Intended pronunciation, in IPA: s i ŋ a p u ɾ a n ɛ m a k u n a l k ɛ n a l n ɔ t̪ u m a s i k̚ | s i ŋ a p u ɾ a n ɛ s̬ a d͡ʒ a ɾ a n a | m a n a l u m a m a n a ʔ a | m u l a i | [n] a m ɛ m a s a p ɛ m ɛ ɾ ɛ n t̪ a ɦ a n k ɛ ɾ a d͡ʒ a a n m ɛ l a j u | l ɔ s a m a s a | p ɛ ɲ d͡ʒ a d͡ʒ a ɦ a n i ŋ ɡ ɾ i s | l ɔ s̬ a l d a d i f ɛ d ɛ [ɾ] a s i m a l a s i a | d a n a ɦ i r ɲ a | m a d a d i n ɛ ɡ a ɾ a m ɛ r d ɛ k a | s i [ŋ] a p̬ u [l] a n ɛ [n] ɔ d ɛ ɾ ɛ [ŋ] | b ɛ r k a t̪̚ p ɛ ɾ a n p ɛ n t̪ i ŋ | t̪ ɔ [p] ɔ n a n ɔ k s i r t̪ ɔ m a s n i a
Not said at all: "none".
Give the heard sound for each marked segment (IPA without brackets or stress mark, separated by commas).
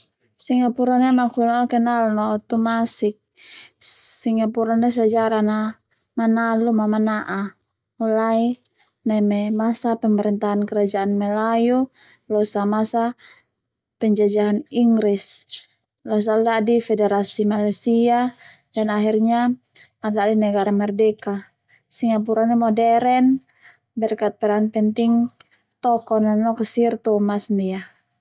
n, ɾ, ŋ, ɾ, m, n, k